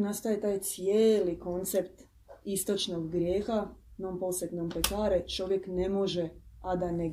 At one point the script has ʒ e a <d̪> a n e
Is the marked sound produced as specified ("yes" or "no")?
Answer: yes